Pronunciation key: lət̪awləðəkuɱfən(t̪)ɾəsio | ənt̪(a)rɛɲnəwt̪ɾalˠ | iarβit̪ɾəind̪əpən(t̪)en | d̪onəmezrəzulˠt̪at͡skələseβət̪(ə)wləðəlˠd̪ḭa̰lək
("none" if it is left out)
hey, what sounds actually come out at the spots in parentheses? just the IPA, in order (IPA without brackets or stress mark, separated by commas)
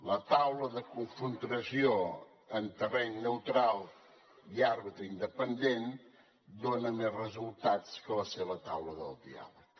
t̪, ə, d̪, a